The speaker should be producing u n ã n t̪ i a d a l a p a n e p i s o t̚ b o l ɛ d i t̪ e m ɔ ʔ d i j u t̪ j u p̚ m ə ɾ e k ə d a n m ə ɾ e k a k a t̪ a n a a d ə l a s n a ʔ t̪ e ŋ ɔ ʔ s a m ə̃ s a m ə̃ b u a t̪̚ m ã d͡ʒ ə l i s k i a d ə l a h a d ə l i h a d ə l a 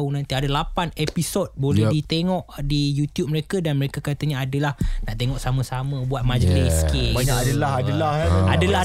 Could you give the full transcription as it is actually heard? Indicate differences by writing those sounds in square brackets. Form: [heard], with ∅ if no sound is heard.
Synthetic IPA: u n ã n t̪ i a d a l a p a n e p i s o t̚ b o l ɛ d i t̪ e [ŋ] ɔ ʔ d i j u t̪ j u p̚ m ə ɾ e k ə d a n m ə ɾ e k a k a t̪ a [ɲ] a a d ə l a [h] n a ʔ t̪ e ŋ ɔ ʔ s a m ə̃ s a m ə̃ b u a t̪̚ m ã d͡ʒ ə l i s k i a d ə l a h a d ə l [a] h a d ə l a